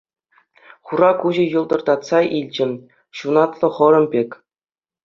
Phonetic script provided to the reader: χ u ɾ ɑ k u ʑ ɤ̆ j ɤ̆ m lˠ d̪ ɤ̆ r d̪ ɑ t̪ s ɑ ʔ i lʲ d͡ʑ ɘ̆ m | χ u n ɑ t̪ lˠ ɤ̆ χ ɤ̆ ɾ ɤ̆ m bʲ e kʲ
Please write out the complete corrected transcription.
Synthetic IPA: χ u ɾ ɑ k u ʑ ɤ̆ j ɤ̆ lˠ d̪ ɤ̆ r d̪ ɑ t̪ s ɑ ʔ i lʲ d͡ʑ ɘ̆ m | ɕ u n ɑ t̪ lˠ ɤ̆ χ ɤ̆ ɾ ɤ̆ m bʲ e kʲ